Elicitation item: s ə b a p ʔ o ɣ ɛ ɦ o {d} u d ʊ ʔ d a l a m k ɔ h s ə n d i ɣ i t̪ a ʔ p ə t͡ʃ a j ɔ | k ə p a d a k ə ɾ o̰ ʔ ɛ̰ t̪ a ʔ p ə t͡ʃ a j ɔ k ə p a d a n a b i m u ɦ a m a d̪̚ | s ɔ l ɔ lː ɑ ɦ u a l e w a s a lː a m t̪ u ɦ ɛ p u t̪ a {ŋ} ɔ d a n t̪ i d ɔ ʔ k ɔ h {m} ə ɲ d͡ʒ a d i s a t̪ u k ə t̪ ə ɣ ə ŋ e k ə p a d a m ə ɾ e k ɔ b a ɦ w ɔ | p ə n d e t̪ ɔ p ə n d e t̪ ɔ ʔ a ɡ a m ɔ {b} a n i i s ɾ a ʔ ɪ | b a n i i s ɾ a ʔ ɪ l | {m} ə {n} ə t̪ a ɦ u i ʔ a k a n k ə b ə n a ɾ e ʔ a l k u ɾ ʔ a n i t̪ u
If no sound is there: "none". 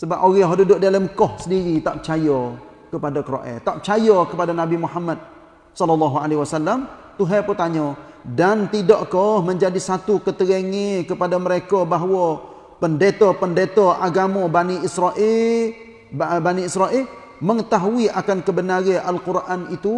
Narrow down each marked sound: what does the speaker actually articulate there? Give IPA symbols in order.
d, ɲ, m, b, m, ŋ

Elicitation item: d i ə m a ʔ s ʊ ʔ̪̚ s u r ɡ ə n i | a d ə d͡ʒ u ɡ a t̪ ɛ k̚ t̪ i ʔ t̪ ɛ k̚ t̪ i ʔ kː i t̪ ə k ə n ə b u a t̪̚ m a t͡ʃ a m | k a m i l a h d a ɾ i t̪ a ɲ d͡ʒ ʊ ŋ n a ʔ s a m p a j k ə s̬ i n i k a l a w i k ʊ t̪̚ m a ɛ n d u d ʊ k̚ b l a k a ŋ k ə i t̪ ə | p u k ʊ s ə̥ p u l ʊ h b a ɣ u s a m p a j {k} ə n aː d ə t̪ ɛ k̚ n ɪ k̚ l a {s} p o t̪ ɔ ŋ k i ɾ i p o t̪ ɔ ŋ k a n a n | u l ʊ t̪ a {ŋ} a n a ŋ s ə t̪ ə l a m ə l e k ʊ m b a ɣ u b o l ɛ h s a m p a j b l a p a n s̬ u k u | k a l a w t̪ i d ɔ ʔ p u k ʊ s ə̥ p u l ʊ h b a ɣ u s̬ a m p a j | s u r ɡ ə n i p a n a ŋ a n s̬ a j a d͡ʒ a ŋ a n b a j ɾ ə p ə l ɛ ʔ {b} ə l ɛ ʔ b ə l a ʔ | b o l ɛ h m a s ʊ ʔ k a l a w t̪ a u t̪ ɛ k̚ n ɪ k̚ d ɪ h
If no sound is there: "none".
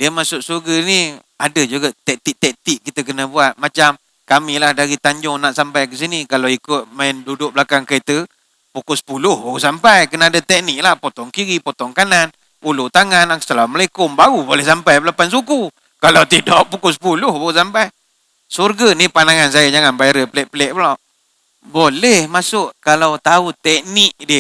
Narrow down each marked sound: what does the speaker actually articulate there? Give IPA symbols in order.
k, h, ŋ, p

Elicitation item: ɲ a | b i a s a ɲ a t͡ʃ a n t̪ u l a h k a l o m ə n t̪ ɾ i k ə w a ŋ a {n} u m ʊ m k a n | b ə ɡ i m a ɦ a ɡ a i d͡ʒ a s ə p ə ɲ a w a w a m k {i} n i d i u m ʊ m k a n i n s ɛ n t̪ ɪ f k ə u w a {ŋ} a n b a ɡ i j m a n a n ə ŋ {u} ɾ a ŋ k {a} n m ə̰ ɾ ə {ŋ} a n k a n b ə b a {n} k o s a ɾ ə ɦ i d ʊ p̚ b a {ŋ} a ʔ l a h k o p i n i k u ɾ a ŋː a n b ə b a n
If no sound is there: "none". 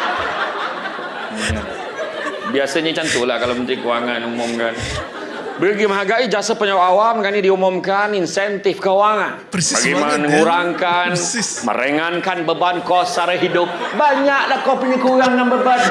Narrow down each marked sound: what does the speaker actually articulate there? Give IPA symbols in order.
n, a, ŋ, u, a, ŋ, n, ɲ

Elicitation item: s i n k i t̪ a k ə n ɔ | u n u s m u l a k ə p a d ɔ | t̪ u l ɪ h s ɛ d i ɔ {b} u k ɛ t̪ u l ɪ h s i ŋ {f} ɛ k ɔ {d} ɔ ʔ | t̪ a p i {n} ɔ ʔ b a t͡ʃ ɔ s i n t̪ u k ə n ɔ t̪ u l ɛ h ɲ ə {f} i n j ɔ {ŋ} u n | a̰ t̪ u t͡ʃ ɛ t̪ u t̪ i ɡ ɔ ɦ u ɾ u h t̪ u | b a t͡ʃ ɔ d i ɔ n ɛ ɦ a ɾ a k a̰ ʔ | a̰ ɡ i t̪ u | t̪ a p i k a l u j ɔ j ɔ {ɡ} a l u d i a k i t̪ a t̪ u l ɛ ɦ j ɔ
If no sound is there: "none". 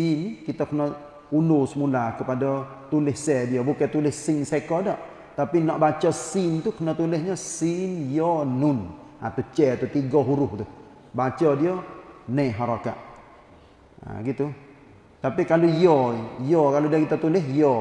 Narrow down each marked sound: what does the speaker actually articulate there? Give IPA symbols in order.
b, s, d, n, s, n, k

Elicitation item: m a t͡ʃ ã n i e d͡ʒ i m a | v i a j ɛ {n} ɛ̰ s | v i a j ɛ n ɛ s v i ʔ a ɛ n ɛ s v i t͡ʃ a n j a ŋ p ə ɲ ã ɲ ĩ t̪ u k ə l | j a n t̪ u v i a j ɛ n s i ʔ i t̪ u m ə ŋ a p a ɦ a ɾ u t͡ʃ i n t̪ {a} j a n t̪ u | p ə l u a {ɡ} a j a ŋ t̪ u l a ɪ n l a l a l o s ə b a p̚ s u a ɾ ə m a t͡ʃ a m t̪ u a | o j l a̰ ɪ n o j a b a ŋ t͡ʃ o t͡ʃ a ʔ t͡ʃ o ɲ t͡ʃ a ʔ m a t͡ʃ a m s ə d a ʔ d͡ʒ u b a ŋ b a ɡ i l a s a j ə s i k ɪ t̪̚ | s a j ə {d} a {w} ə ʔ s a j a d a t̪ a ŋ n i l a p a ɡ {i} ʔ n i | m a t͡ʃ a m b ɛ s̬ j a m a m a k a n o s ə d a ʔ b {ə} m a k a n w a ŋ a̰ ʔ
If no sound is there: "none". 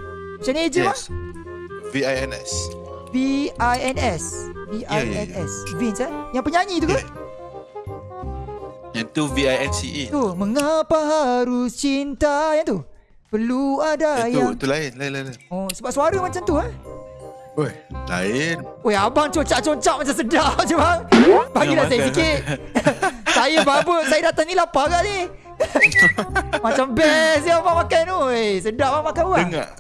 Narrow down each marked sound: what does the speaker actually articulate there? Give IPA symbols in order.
n, a, d, b, b, a, a

